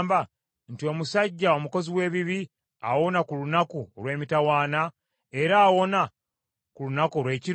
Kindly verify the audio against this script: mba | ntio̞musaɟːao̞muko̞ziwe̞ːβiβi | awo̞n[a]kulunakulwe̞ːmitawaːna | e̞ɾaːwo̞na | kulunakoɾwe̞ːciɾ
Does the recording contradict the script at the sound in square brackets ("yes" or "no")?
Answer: no